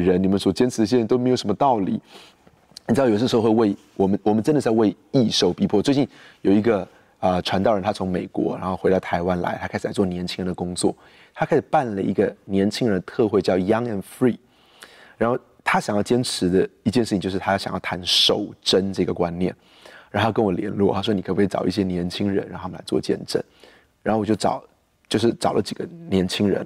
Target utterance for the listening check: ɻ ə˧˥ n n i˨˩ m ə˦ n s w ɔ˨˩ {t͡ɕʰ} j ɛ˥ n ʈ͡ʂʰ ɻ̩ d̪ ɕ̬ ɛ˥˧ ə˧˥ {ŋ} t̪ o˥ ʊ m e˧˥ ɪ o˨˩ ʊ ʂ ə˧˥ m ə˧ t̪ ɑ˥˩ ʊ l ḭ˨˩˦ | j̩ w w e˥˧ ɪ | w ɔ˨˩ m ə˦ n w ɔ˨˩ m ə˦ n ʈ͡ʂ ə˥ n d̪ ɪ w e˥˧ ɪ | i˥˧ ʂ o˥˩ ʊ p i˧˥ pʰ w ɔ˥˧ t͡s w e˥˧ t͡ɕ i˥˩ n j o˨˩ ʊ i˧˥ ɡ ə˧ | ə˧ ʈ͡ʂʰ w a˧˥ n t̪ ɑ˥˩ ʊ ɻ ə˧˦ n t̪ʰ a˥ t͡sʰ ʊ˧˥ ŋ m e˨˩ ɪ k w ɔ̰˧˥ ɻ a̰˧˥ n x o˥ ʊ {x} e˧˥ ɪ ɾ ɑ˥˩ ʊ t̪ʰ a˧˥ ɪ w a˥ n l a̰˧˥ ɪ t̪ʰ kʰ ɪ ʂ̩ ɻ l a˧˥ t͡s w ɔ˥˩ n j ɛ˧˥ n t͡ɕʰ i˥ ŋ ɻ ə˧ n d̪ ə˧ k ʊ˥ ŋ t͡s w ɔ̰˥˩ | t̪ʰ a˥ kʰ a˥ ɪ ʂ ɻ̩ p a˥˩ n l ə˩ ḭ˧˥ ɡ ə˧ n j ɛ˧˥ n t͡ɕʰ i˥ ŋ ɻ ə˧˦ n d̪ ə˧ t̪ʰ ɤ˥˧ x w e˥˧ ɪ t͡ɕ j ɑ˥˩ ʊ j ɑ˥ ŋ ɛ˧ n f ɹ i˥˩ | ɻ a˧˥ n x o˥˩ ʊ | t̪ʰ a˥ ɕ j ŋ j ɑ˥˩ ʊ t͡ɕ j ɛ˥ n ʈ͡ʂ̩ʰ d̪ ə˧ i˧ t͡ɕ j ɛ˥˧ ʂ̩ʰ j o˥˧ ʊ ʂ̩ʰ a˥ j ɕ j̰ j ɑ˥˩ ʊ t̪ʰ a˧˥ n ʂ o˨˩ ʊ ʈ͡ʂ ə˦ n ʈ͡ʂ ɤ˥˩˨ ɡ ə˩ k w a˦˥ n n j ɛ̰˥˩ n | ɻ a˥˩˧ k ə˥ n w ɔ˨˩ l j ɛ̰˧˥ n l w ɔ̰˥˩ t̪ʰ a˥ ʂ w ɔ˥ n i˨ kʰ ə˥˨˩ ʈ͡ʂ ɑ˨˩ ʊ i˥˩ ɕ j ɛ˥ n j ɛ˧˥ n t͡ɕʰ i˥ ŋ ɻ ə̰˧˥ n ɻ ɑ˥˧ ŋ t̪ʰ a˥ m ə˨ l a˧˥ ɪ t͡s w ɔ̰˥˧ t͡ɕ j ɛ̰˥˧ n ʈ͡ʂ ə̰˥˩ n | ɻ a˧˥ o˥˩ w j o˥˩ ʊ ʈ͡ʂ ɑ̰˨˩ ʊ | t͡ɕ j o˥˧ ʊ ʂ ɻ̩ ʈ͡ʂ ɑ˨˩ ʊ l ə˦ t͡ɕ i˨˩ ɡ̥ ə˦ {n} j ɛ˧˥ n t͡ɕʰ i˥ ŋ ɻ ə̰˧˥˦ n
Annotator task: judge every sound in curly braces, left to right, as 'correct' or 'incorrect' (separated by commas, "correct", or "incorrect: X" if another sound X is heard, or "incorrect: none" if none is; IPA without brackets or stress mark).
incorrect: t͡ɕ, incorrect: n, correct, correct